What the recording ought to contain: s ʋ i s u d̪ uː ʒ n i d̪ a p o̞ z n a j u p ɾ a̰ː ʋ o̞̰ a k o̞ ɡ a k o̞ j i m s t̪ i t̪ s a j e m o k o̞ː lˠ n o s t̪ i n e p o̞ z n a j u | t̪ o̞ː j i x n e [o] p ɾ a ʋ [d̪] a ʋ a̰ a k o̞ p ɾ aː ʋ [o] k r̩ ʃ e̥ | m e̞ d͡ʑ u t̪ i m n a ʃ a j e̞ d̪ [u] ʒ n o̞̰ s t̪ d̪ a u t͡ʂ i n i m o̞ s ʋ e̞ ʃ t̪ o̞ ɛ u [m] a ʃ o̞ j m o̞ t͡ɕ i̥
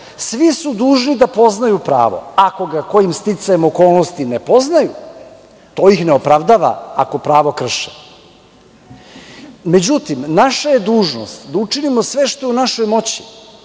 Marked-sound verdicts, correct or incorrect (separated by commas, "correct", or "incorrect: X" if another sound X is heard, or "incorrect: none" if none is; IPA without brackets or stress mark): correct, correct, correct, incorrect: uː, incorrect: n